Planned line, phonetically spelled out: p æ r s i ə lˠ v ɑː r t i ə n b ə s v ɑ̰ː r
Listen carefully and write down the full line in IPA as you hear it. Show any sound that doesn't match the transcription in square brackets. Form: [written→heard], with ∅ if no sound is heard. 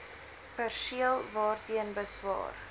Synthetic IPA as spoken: p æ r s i ə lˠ v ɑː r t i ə n b ə s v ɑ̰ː r